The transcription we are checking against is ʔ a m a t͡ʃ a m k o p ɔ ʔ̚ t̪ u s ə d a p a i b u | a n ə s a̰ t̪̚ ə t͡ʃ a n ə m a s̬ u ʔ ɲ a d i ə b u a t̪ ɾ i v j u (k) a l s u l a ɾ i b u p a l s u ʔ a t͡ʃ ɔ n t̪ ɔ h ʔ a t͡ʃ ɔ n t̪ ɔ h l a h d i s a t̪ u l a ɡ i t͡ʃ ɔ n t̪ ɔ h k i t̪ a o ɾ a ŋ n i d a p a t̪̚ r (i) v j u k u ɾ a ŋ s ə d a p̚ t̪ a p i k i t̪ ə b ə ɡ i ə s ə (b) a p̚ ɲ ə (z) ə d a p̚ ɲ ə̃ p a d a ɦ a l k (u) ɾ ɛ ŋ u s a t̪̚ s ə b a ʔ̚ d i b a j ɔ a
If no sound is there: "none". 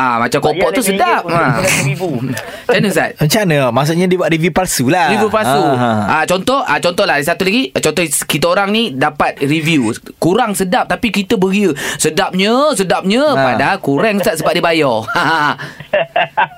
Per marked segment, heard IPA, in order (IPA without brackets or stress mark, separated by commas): p, i, d, s, u